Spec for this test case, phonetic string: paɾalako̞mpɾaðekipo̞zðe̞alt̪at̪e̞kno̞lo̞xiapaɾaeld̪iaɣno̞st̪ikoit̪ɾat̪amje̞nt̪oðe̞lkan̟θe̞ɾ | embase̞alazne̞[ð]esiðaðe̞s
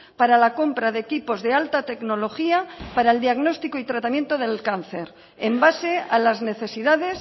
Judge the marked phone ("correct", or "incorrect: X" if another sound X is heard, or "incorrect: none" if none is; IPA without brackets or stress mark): incorrect: θ